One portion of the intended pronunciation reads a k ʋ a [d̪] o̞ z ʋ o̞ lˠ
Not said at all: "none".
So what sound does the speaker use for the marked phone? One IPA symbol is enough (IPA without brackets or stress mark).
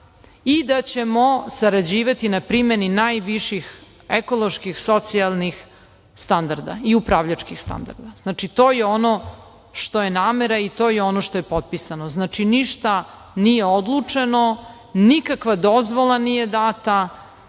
d̪